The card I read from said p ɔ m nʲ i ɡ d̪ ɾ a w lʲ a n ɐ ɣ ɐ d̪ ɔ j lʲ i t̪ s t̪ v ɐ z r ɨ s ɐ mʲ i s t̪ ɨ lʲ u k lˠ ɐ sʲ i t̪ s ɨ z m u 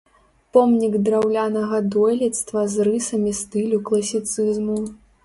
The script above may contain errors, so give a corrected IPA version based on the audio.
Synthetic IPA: p ɔ m nʲ i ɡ d̪ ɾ a w lʲ a n ɐ ɣ ɐ d̪ ɔ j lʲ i t̪ s t̪ v ɐ z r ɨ s ɐ mʲ i s t̪ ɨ lʲ u k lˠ ɐ sʲ i t̪ s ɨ z m u